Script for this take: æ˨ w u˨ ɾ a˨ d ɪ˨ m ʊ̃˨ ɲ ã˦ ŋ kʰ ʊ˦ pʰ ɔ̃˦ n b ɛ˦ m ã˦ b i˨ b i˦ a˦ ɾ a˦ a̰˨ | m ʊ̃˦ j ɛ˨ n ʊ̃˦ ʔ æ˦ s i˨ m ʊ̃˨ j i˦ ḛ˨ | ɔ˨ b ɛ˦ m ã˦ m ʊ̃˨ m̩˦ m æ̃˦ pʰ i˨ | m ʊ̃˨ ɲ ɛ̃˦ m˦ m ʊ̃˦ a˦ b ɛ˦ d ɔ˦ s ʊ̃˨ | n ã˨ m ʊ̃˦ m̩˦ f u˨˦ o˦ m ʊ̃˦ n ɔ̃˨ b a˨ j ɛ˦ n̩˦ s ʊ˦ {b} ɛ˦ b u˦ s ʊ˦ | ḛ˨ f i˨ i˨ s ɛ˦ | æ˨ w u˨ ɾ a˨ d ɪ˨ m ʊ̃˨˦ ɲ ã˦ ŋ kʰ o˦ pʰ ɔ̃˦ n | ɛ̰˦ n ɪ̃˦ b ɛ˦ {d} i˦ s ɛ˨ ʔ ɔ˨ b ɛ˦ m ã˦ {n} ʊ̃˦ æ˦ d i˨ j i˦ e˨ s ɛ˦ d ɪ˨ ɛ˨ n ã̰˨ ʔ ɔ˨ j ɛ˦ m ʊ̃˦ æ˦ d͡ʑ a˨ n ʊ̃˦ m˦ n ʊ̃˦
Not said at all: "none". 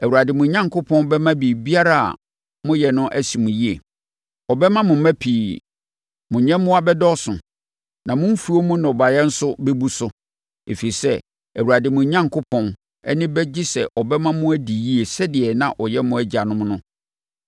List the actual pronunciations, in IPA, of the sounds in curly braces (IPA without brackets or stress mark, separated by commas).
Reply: b, d͡ʑ, m